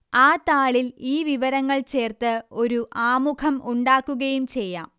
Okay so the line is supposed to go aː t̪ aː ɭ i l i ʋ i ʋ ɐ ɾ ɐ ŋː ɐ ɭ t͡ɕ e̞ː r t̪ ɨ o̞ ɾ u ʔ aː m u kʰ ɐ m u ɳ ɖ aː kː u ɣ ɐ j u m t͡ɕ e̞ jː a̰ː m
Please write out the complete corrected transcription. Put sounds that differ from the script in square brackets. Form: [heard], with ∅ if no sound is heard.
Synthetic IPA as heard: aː t̪ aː ɭ i l [iː] ʋ i ʋ ɐ ɾ ɐ ŋː ɐ ɭ t͡ɕ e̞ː r t̪ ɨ o̞ ɾ u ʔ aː m u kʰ ɐ m u ɳ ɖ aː kː u ɣ ɐ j u m t͡ɕ e̞ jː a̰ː m